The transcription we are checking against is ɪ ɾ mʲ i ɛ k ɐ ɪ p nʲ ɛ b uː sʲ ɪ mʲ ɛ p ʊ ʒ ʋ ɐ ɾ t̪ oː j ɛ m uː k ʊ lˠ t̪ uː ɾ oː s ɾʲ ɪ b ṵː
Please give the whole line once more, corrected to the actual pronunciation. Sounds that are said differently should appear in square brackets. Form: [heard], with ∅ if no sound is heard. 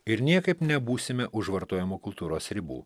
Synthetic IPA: ɪ ɾ [nʲ] i ɛ k ɐ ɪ p nʲ ɛ b uː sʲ ɪ mʲ ɛ [ʔ] ʊ ʒ ʋ ɐ ɾ t̪ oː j ɛ m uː k ʊ lˠ t̪ uː ɾ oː s ɾʲ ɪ b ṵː